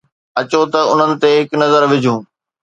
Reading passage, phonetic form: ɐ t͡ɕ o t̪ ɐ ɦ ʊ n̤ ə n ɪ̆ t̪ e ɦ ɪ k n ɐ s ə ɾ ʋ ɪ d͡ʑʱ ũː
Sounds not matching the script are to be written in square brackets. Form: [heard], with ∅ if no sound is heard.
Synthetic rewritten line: ɐ t͡ɕ o t̪ ɐ [∅] ʊ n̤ ə n ɪ̆ t̪ e ɦ ɪ k n ɐ [z] ə ɾ ʋ ɪ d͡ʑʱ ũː